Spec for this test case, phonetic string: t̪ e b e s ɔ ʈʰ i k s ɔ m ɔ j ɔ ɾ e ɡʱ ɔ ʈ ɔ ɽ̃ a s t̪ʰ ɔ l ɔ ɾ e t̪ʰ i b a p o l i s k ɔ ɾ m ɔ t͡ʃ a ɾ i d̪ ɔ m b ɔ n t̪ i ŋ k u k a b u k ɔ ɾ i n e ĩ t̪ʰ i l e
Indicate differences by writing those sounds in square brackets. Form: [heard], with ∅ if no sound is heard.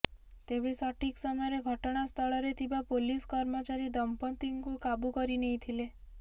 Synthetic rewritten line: t̪ e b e s ɔ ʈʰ i k s ɔ m ɔ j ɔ ɾ e ɡʱ ɔ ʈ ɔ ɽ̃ a s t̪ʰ ɔ [ɭ] ɔ ɾ e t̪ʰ i b a p o l i s k ɔ ɾ m ɔ t͡ʃ a ɾ i d̪ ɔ m [p] ɔ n t̪ i ŋ k u k a b u k ɔ ɾ i n e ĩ t̪ʰ i l e